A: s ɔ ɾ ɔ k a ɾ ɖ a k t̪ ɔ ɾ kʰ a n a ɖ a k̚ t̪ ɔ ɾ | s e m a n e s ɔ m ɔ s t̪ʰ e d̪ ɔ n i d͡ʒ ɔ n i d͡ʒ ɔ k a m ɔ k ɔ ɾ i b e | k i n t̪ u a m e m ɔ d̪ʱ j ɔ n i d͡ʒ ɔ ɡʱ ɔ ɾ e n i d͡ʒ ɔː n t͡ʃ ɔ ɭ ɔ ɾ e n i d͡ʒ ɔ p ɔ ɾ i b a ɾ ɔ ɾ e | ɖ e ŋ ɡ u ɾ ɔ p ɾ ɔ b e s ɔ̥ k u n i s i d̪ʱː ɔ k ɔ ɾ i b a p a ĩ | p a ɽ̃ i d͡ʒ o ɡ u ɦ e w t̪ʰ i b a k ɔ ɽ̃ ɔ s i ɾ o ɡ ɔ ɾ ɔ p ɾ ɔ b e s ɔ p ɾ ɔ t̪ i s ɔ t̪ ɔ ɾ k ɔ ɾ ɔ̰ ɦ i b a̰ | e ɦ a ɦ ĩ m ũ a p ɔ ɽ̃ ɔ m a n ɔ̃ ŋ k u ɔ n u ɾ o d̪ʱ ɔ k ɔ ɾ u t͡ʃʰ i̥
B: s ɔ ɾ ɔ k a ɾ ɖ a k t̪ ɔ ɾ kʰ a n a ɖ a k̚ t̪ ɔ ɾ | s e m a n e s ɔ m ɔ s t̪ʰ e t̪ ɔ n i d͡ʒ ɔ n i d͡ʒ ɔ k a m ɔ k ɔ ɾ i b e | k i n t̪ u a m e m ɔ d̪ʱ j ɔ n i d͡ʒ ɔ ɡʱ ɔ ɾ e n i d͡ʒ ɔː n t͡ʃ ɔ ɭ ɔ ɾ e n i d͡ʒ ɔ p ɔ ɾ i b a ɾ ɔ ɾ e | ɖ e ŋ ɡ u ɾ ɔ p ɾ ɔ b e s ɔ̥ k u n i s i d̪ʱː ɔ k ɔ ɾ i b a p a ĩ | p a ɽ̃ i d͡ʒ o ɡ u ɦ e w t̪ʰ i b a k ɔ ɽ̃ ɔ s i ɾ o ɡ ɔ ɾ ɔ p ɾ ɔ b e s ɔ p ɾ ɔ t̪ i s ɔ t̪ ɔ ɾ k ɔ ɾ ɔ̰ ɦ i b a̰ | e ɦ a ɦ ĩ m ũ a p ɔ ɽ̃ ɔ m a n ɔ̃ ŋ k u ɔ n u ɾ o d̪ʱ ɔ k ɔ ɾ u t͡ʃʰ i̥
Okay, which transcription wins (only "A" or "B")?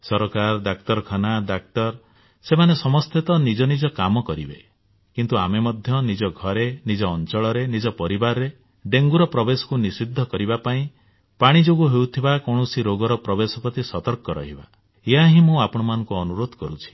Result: B